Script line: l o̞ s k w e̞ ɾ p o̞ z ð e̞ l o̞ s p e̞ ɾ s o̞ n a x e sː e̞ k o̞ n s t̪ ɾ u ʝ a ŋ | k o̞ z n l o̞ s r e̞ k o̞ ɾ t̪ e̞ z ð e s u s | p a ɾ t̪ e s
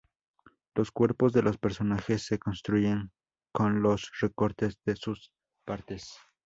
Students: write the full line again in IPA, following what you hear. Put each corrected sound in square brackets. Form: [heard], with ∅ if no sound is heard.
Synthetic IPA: l o̞ s k w e̞ ɾ p o̞ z ð e̞ l o̞ s p e̞ ɾ s o̞ n a x e sː e̞ k o̞ n s t̪ ɾ u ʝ [e] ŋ | k o̞ [∅] n l o̞ s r e̞ k o̞ ɾ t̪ e̞ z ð e s u s | p a ɾ t̪ e s